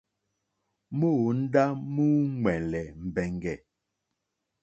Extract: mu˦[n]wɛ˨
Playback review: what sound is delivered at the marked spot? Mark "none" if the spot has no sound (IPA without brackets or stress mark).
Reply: ŋ